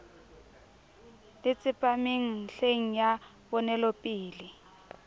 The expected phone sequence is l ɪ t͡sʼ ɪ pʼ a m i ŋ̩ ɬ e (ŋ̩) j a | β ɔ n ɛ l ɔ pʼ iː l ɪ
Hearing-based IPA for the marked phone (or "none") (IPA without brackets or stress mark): ŋ̩